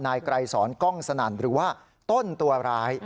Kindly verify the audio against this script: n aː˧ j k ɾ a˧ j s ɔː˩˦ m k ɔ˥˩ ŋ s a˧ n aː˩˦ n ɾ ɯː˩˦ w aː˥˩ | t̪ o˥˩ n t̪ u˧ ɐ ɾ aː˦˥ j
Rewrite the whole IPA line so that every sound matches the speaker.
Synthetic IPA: n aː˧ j k ɾ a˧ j s ɔː˩˦ n k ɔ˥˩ ŋ s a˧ n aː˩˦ n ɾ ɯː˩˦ w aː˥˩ | t̪ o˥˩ n t̪ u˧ ɐ ɾ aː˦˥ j